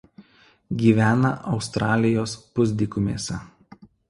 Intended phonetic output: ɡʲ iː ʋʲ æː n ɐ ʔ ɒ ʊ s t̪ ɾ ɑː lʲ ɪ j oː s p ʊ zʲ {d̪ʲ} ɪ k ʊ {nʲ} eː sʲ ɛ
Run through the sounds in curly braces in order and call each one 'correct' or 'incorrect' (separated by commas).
correct, incorrect